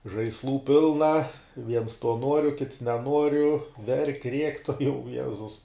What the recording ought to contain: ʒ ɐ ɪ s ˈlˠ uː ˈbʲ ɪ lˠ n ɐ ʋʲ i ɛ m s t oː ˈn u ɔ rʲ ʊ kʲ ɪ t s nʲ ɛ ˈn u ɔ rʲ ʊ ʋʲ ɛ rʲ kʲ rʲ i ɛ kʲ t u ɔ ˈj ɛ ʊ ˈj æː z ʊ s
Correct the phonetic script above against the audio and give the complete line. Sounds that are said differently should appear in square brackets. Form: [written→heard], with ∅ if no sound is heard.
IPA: ʒ ɐ ɪ s ˈlˠ uː [ˈbʲ→ˈpʲ] ɪ lˠ n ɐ ʋʲ i ɛ [m→n] s t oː ˈn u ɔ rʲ ʊ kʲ ɪ t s nʲ ɛ ˈn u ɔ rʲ ʊ ʋʲ ɛ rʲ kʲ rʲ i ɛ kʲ t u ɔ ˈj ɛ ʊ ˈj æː z ʊ s